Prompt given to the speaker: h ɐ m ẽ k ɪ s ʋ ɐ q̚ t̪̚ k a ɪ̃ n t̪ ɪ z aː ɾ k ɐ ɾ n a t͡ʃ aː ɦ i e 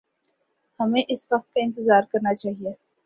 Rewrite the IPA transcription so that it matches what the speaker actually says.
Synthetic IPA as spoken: h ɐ m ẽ ʔ ɪ s ʋ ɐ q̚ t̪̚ k a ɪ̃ n t̪ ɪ z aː ɾ k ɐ ɾ n a t͡ʃ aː ɦ i e